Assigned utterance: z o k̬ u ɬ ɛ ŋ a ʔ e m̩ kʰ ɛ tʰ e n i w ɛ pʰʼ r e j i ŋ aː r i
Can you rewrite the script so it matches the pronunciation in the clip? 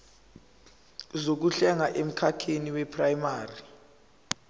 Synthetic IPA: z o k̬ u ɬ ɛ ŋ a ʔ e m̩ kʰ a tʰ e n i w ɛ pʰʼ r a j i m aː r i